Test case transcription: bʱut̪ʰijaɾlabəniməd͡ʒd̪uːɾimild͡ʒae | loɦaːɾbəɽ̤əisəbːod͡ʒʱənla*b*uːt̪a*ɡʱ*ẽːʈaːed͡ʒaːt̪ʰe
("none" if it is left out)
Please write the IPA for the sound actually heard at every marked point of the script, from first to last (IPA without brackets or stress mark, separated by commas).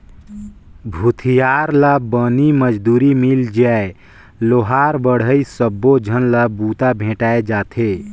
b, bʱ